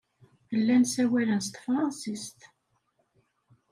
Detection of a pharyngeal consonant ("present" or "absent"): absent